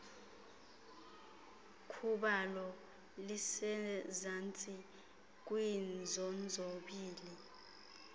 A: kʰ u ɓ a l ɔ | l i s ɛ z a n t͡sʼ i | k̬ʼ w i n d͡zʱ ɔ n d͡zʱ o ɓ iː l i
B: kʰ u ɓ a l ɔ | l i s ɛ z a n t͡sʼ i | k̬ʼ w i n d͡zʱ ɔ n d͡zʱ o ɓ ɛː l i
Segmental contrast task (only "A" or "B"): A